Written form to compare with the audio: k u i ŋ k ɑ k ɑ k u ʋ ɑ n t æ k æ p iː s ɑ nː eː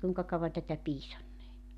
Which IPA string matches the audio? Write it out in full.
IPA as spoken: k u i ŋ k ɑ k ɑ u ʋ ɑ n t æ t æ p iː s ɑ nː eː